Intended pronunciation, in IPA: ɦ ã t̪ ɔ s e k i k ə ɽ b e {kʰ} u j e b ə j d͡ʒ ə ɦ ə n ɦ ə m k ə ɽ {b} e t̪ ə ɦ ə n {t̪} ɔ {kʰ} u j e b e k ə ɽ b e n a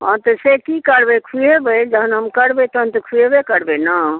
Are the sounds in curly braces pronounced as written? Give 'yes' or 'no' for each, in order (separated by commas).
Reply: yes, yes, yes, yes